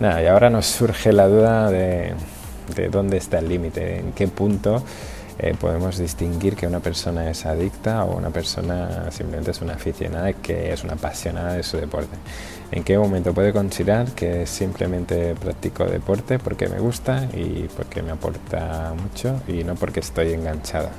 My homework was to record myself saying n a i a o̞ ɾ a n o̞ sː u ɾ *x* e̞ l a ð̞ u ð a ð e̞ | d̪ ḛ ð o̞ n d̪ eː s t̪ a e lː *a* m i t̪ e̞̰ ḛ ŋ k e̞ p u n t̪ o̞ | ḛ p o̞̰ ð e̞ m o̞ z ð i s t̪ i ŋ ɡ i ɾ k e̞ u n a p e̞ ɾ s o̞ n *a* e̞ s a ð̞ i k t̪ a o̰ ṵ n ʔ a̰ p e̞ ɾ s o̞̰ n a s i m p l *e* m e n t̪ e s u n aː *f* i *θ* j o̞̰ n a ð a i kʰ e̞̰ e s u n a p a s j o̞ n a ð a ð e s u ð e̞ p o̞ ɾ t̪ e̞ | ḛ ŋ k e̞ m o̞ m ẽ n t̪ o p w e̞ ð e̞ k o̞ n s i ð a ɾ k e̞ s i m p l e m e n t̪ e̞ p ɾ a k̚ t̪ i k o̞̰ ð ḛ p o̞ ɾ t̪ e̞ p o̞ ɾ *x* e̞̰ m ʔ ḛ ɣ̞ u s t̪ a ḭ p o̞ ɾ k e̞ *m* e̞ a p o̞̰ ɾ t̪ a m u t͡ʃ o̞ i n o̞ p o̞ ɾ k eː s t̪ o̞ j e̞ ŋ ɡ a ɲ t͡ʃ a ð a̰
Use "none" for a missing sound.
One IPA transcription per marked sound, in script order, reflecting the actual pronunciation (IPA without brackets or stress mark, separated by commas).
x, i, a, e, f, θ, k, m